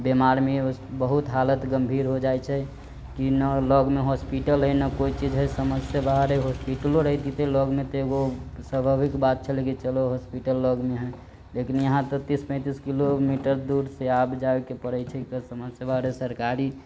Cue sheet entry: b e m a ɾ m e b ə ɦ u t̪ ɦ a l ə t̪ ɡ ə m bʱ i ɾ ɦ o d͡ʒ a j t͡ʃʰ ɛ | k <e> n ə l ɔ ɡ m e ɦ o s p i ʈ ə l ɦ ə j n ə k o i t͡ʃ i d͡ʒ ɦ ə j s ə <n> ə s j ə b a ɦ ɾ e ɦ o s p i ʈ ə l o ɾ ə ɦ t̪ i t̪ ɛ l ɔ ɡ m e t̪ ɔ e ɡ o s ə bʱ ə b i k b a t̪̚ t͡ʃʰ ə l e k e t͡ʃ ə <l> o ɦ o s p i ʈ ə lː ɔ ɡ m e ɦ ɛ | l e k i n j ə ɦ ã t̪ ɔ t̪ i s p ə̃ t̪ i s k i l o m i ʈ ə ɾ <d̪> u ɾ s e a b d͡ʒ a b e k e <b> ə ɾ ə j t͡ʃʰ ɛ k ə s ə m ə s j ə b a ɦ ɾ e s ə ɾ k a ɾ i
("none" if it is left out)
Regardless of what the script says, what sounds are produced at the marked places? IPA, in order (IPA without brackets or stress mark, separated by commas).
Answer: i, m, l, d̪, p